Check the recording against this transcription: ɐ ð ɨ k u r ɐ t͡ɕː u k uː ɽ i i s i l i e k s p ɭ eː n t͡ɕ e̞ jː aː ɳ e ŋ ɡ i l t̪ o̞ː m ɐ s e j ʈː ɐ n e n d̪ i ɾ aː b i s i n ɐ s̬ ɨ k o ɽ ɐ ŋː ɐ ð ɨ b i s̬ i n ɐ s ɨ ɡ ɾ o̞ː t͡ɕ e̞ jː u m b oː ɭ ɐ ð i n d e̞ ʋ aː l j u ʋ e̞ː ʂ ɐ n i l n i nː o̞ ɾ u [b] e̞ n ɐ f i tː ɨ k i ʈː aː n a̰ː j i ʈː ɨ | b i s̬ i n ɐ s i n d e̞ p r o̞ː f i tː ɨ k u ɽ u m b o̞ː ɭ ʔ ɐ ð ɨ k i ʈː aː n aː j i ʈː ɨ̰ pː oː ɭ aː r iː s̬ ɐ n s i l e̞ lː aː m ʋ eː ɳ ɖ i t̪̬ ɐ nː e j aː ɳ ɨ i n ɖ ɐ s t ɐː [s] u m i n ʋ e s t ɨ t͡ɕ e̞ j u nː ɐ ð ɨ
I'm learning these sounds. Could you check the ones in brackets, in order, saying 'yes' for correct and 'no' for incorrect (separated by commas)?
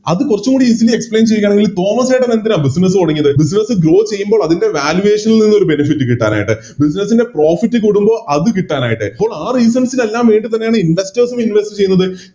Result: yes, yes